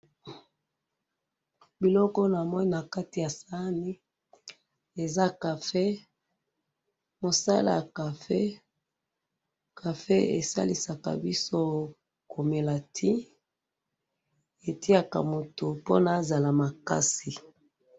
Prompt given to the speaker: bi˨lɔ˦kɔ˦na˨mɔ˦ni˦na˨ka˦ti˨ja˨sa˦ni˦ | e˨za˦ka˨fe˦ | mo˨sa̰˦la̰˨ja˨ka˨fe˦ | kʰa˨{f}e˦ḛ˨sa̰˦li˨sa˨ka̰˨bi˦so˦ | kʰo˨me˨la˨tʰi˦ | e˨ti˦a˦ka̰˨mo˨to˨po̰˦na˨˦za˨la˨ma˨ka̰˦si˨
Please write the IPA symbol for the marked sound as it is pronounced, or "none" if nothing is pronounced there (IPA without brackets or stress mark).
f